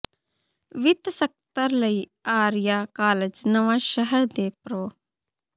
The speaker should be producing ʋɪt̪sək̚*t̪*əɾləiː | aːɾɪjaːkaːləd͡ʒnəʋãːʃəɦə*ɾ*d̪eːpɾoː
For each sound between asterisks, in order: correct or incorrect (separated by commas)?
correct, correct